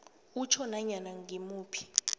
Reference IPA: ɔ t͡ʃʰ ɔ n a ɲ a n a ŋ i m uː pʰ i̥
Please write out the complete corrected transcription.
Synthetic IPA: u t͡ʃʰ ɔ n a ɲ a n a ŋ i m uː pʰ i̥